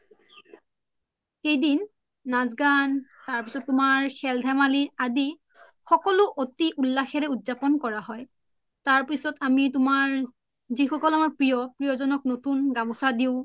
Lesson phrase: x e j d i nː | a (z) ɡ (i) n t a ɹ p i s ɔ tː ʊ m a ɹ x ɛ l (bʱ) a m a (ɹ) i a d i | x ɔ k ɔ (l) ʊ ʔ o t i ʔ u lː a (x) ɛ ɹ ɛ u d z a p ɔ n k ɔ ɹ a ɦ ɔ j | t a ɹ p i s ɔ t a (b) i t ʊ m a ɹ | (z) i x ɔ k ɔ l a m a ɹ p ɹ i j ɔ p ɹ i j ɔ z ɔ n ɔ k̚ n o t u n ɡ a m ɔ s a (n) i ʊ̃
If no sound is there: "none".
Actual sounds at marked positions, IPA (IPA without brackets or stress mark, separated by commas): z, a, dʱ, l, l, x, m, z, d